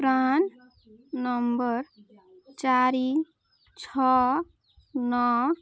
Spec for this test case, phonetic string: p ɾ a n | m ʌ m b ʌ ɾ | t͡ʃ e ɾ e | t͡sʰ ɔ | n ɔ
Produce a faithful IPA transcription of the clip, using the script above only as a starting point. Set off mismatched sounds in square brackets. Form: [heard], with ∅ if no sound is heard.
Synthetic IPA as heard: p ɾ a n | [n] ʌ m b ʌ ɾ | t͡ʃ [a] ɾ [i] | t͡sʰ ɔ | n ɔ